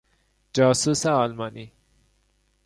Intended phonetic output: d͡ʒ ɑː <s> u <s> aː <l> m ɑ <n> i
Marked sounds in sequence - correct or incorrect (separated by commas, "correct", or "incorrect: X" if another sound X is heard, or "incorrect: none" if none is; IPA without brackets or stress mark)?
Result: correct, correct, correct, correct